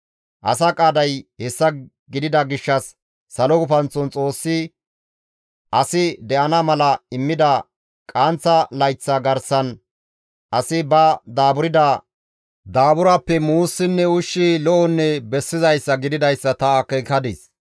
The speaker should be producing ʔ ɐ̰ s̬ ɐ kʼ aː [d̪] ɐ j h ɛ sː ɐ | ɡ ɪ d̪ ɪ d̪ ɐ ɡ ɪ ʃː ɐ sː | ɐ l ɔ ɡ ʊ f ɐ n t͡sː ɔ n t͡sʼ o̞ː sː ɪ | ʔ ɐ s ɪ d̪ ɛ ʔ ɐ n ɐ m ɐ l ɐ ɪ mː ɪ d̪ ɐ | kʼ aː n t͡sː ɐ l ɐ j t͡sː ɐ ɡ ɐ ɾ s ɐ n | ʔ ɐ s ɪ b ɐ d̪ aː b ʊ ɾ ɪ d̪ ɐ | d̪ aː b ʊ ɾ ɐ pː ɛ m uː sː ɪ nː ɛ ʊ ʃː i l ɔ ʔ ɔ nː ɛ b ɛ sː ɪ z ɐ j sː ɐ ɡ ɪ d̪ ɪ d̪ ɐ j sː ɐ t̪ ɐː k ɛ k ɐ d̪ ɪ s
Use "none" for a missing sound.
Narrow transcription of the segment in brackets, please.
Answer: d̪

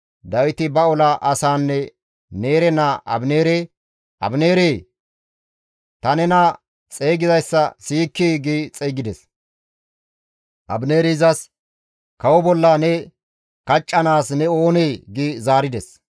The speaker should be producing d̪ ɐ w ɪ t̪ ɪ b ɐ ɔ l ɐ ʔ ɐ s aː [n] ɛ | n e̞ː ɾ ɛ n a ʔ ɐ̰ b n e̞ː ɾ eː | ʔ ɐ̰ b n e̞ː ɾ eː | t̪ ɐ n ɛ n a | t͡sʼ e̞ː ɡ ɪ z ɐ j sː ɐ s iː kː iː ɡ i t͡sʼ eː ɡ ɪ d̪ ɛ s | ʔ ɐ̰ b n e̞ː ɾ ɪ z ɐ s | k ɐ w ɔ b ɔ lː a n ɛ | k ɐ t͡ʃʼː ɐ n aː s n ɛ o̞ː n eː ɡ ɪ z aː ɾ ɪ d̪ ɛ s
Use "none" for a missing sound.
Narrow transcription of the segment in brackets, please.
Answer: nː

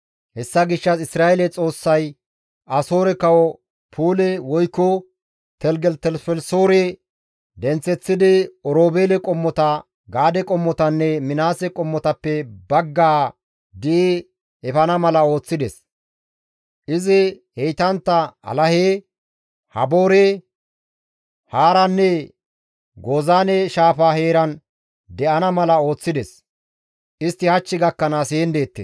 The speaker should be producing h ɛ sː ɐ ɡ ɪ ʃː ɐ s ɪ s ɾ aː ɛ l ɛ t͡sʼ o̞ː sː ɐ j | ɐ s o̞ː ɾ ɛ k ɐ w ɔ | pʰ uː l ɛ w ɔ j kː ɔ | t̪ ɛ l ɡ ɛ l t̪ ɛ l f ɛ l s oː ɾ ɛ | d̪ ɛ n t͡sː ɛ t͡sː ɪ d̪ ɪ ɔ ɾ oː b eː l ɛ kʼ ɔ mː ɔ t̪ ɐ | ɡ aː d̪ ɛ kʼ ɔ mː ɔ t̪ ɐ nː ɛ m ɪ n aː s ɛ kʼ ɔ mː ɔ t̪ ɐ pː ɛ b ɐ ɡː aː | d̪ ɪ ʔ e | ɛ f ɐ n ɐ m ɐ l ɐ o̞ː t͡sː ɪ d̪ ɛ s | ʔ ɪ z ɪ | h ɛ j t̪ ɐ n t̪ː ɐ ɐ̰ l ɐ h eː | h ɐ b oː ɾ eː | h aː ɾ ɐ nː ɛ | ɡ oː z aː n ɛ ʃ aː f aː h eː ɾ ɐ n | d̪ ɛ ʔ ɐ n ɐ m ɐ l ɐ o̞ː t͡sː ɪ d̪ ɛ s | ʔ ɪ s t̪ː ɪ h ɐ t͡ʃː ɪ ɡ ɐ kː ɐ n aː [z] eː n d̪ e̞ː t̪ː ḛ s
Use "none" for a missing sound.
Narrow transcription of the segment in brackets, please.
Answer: s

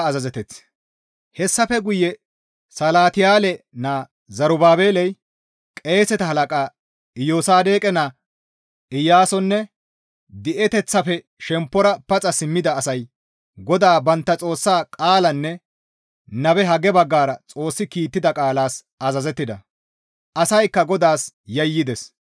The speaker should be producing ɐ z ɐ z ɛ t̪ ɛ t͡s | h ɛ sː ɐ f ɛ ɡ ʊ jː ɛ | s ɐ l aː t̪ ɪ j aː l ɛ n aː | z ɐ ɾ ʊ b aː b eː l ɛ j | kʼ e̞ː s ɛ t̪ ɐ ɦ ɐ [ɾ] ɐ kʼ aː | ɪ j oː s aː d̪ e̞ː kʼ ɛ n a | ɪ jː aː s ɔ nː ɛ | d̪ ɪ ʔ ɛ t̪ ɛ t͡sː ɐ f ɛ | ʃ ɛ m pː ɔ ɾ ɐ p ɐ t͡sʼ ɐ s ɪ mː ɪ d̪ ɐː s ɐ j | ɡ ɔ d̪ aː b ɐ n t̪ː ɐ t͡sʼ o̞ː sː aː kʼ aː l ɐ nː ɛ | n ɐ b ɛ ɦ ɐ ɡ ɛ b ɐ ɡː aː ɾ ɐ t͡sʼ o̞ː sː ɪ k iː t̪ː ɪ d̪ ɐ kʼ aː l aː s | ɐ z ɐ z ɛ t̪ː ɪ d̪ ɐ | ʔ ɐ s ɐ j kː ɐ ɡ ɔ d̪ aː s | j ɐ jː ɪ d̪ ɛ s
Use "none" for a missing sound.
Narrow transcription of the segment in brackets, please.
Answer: l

